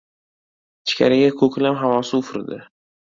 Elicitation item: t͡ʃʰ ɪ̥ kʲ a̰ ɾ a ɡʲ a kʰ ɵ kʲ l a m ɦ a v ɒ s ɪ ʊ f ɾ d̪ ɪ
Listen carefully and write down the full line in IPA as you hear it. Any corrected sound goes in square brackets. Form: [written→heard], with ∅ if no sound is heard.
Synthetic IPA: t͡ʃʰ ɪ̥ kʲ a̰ ɾ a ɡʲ a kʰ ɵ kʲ l a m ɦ a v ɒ s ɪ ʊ f ɾ d̪ ɪ